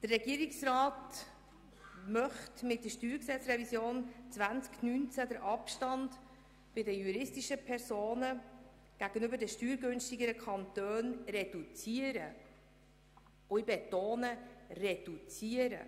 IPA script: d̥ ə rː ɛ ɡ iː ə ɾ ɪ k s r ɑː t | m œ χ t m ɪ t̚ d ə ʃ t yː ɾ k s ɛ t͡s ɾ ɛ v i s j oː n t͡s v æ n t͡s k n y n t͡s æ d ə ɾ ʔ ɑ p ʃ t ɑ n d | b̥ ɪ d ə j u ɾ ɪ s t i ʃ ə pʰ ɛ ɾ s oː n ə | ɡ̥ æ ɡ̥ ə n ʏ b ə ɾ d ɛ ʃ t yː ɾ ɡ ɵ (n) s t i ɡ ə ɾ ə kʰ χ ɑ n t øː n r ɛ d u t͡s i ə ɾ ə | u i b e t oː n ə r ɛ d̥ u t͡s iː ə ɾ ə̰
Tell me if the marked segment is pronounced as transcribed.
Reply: yes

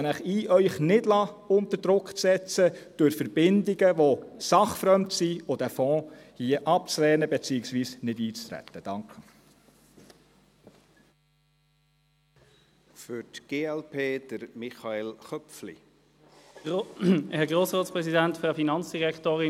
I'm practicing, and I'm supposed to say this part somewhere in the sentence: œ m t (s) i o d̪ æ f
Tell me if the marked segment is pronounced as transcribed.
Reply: yes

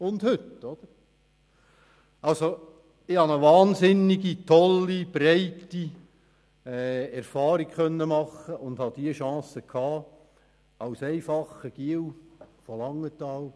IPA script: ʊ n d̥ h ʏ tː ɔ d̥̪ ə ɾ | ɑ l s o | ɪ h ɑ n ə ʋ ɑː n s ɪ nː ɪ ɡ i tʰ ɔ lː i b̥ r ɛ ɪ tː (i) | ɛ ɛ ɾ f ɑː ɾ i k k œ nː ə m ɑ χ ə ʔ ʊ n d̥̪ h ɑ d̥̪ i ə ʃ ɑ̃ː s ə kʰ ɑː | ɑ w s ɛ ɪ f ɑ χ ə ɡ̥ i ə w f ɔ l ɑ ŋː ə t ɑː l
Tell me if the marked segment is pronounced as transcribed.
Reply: yes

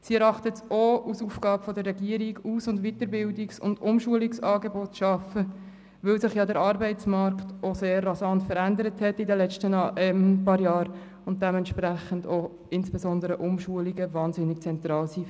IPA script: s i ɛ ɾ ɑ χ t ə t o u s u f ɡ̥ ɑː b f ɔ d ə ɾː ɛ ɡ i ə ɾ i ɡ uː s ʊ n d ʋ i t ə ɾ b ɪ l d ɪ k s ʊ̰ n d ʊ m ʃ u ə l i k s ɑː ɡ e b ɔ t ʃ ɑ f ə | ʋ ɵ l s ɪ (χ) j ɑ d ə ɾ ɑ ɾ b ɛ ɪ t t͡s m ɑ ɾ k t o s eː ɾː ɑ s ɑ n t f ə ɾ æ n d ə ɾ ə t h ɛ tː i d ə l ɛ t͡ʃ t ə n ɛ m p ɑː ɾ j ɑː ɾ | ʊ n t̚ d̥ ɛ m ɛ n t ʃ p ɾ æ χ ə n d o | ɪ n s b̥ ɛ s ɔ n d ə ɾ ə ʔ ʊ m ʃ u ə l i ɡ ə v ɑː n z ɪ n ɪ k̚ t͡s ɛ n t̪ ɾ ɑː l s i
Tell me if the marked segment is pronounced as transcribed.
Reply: yes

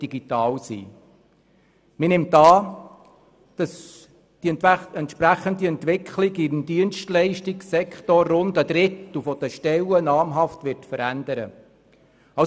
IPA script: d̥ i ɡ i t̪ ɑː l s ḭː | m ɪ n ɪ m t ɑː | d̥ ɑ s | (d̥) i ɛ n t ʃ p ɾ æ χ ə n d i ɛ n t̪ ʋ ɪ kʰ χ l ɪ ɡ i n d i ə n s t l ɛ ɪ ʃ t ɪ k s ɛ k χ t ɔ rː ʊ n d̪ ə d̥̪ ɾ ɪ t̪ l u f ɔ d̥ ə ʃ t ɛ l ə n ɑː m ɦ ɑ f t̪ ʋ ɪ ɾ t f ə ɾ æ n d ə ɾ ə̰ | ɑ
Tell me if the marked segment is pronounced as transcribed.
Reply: yes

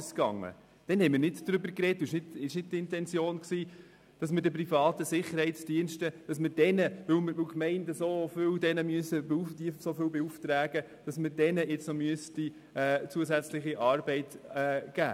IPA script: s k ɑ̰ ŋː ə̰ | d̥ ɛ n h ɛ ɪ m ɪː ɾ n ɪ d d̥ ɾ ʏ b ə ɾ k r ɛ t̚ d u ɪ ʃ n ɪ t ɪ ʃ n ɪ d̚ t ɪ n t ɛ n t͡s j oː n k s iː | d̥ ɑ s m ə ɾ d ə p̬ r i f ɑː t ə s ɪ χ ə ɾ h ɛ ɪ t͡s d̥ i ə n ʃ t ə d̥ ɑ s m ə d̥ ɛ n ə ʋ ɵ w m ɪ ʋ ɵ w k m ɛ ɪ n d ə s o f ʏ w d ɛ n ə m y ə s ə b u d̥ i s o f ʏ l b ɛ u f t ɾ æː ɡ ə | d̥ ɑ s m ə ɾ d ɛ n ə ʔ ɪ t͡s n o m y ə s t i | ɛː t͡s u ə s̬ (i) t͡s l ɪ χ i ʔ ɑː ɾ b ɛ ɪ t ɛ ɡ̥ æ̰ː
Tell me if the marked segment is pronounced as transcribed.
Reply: no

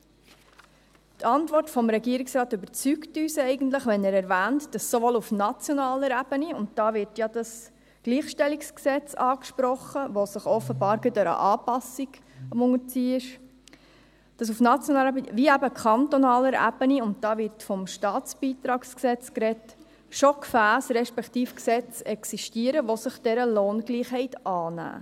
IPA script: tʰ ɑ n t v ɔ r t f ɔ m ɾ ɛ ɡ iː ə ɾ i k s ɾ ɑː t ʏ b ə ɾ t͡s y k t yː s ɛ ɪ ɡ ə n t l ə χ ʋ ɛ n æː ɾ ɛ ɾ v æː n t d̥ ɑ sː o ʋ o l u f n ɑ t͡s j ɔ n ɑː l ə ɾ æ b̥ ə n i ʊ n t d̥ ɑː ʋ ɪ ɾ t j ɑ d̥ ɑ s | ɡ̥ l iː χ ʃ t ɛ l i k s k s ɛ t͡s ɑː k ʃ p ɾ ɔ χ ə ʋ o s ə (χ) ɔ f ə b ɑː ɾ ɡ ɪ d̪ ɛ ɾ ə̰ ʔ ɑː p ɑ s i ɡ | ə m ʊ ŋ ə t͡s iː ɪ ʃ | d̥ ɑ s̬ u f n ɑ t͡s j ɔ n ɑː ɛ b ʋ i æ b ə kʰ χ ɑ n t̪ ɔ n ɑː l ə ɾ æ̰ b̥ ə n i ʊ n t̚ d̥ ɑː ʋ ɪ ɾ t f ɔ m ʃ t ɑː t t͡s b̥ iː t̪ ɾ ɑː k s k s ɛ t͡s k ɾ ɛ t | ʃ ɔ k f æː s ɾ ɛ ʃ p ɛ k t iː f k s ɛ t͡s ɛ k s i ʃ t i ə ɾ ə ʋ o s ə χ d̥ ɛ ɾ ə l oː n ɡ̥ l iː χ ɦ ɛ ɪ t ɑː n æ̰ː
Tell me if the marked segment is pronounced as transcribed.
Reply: yes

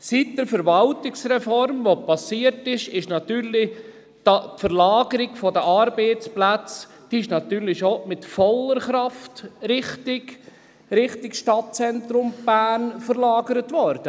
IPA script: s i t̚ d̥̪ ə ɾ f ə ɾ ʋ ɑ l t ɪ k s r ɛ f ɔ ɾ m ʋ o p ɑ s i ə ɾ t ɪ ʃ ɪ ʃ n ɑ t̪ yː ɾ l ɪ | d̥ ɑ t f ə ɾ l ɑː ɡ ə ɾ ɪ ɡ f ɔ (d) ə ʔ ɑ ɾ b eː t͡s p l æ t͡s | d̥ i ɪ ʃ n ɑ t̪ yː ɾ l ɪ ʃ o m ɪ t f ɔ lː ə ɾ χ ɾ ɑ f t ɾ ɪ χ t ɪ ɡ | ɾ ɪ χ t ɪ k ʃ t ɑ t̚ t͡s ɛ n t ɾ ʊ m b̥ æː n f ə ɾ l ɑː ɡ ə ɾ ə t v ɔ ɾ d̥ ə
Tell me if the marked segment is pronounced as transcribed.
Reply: yes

